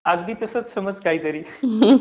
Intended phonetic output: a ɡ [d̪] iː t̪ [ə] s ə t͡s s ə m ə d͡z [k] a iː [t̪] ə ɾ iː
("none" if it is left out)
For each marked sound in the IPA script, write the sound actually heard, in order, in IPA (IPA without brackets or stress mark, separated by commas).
d̪, ə, k, t̪